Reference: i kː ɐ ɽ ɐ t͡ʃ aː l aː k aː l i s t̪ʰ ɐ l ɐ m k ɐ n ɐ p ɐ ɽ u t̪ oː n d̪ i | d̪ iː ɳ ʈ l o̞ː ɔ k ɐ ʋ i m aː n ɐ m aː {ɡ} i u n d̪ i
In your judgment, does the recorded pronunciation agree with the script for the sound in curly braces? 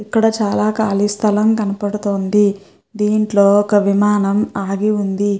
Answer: yes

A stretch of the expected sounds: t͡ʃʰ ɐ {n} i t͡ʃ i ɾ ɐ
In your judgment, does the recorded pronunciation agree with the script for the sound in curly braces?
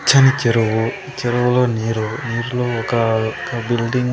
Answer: yes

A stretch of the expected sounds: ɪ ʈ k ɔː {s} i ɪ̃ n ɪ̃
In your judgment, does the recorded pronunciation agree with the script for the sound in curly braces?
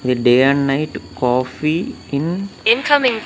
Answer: no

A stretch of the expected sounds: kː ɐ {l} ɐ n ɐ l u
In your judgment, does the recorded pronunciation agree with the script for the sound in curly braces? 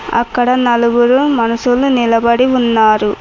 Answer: no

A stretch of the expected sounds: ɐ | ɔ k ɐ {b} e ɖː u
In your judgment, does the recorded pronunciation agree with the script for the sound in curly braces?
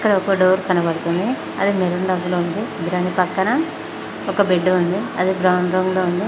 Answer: yes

